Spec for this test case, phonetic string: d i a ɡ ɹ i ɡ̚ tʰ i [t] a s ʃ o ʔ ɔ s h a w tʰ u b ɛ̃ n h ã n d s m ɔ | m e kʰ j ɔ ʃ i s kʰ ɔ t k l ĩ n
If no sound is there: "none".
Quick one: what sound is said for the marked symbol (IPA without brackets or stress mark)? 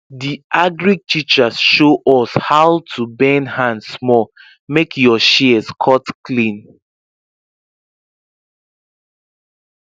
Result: t͡ʃ